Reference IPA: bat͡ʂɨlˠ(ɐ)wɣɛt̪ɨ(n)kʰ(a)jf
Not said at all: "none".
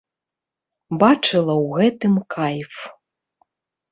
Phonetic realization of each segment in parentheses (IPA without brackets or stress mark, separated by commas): ɐ, m, a